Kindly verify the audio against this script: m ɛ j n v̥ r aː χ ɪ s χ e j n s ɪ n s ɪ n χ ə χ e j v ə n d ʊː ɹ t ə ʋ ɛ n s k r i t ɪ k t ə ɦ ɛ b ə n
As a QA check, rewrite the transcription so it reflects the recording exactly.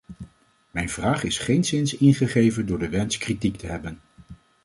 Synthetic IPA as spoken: m ɛ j n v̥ r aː χ ɪ s χ e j n s ɪ n s ɪ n χ ə χ e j v ə n d ʊː ɹ d ə ʋ ɛ n s k r i t i k t ə ɦ ɛ b ə n